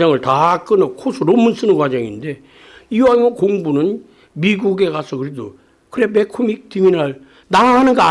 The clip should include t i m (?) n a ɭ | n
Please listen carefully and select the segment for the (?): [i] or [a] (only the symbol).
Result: i